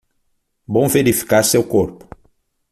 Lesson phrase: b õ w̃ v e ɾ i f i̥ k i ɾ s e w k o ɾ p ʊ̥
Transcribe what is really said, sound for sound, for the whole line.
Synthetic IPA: b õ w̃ v e ɾ i f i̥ k a ɾ s e w k o ɾ p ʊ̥